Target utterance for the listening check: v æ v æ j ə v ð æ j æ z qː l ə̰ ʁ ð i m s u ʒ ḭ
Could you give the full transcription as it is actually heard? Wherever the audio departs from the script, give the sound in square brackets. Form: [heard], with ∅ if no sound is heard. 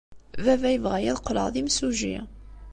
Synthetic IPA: v æ v æ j ə v [ʁ] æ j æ [ð] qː l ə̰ ʁ ð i m s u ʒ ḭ